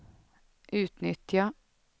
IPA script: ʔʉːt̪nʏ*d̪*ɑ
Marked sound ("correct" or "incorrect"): incorrect